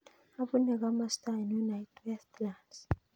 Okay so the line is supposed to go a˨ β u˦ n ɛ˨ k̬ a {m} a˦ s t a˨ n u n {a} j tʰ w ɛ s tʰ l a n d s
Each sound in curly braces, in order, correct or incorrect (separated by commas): correct, correct